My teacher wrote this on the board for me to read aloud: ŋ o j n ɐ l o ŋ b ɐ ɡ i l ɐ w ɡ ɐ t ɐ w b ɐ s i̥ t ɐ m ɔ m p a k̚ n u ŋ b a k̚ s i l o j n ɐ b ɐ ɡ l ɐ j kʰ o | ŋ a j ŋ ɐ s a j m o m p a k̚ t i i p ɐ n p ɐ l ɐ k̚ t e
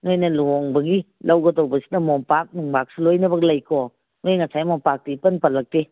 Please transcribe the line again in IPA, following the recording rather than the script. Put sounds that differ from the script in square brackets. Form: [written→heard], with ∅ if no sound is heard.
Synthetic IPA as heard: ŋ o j n ɐ l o ŋ b ɐ ɡ i l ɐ w ɡ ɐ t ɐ w b ɐ s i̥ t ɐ m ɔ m p a k̚ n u ŋ b a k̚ s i l o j n ɐ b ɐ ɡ l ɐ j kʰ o | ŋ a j ŋ ɐ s a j m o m p a k̚ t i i p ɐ n p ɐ l ɐ k̚ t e